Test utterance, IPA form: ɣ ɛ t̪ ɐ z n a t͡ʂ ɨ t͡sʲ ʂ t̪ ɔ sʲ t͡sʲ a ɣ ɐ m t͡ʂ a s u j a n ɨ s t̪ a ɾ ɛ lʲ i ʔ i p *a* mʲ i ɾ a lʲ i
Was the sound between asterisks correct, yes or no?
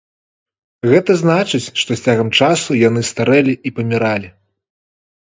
no